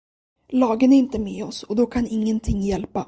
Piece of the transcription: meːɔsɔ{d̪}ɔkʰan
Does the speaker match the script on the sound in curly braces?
yes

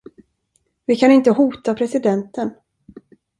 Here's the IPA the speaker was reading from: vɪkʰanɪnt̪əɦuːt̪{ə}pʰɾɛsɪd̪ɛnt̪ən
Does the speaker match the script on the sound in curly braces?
no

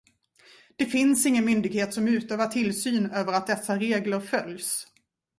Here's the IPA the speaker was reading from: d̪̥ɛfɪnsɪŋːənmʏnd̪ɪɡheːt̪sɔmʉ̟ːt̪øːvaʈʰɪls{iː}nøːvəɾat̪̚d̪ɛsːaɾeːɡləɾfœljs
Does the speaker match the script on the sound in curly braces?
no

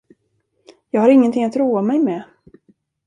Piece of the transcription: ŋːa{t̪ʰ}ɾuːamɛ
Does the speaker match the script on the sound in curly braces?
no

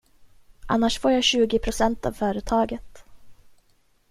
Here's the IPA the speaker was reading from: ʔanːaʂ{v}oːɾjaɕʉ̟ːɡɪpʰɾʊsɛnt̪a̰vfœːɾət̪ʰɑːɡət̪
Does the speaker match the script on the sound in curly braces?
no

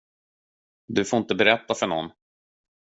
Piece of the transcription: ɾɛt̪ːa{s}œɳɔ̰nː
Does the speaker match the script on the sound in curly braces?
no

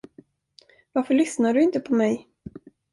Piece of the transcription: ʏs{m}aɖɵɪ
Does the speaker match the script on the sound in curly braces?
no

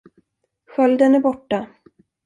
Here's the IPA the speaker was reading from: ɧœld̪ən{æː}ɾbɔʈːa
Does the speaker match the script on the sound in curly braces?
no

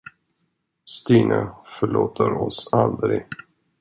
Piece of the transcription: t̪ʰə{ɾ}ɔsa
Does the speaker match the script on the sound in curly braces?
yes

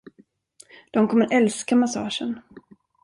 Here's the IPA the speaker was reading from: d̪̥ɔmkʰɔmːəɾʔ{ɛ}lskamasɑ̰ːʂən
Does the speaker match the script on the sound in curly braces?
yes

